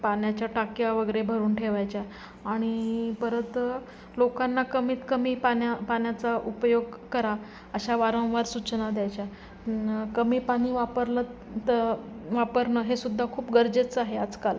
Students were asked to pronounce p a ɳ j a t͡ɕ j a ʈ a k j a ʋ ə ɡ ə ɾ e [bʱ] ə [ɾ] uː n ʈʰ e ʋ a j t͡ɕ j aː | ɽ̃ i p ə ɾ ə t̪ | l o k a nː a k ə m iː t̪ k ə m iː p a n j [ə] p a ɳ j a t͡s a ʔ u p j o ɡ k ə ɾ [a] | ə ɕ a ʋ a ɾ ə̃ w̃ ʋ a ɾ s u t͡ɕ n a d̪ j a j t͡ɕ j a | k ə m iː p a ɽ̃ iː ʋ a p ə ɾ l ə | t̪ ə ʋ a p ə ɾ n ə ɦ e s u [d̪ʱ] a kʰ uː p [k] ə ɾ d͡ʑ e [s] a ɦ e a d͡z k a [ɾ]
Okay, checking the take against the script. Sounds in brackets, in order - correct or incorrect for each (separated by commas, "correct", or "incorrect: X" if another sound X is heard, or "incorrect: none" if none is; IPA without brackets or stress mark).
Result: correct, correct, incorrect: a, correct, incorrect: d̪ʱː, incorrect: ɡ, incorrect: t͡s, incorrect: l